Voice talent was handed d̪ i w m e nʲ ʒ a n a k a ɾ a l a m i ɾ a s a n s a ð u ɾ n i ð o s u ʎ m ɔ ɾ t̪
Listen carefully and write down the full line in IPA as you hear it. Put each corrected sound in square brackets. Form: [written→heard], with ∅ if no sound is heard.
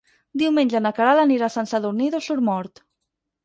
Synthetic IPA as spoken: d̪ i w m e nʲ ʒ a n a k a ɾ a l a [m→n] i ɾ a s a n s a ð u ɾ n i ð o s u [ʎ→ɾ] m ɔ ɾ t̪